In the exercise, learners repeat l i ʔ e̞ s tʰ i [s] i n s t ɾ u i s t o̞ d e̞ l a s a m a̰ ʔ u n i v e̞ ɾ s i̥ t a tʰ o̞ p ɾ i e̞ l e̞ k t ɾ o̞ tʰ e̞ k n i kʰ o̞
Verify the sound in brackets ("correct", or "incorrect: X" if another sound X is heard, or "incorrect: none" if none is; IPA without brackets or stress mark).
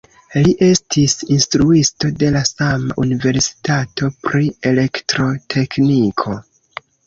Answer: correct